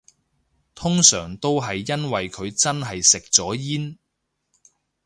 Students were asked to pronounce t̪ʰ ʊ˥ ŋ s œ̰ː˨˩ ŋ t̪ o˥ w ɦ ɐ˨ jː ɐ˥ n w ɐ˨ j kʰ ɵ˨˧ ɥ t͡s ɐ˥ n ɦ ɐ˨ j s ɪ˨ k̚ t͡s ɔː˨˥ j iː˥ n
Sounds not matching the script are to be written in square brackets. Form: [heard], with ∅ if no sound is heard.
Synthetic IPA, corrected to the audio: t̪ʰ ʊ˥ ŋ s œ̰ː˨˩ ŋ t̪ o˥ w ɦ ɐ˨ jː ɐ˥ n w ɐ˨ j kʰ ɵ˨˧ ɥ t͡s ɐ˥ n ɦ ɐ˨ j s ɪ˨ k̚ t͡s ɔː˨˥ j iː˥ n